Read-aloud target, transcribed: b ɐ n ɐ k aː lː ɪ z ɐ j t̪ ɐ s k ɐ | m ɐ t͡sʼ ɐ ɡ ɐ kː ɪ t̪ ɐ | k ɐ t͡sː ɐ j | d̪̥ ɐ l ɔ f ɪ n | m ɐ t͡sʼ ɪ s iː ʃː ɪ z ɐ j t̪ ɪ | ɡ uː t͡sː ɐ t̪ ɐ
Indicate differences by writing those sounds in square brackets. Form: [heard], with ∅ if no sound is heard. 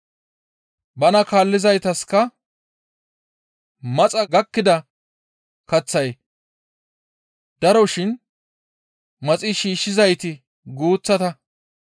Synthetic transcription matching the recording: b ɐ n ɐ k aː lː ɪ z ɐ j t̪ ɐ s k ɐ | m ɐ t͡sʼ ɐ ɡ ɐ kː ɪ [d̪] ɐ | k ɐ t͡sː ɐ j | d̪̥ ɐ [ɾ] ɔ [ʃ] ɪ n | m ɐ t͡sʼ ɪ [ʃ] iː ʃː ɪ z ɐ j t̪ ɪ | ɡ uː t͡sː ɐ t̪ ɐ